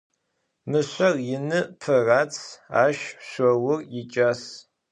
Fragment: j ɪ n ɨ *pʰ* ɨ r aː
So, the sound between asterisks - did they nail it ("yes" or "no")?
yes